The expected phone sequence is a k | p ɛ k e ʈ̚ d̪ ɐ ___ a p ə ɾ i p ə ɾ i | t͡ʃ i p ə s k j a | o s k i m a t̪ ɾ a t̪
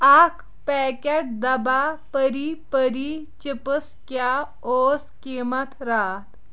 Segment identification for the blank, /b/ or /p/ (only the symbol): b